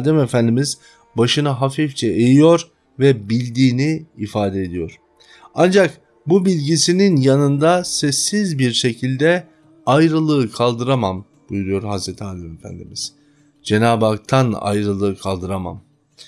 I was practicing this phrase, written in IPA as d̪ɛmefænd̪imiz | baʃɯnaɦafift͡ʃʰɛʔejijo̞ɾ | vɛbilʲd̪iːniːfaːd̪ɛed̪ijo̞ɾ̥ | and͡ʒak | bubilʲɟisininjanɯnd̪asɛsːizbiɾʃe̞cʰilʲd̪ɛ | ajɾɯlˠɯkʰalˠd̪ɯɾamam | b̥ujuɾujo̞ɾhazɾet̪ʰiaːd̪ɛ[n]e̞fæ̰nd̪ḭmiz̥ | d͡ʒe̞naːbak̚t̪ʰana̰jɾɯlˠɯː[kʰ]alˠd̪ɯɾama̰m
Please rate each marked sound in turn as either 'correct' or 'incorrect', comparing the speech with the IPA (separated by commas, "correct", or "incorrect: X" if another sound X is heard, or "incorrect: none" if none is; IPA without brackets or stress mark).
incorrect: m, correct